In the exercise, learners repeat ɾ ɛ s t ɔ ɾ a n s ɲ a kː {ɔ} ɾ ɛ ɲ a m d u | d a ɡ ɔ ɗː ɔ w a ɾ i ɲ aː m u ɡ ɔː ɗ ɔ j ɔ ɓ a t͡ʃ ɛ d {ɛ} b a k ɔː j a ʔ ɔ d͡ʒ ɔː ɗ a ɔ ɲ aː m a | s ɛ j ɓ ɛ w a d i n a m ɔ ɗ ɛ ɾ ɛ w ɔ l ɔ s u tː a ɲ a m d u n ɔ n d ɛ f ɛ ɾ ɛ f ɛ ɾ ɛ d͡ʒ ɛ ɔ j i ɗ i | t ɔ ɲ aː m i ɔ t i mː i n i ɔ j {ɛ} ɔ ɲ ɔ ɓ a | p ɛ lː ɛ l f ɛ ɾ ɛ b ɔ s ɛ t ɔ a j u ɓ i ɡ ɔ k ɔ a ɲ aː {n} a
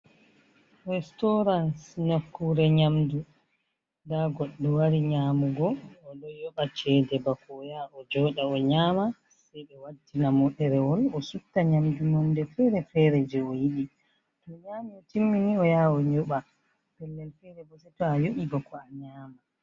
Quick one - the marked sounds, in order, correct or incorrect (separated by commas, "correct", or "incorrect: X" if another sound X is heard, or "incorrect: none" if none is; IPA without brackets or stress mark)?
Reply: incorrect: u, correct, incorrect: a, incorrect: m